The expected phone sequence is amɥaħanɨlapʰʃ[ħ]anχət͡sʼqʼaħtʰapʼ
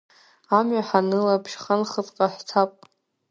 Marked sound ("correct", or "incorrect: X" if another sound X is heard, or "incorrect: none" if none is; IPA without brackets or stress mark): incorrect: χ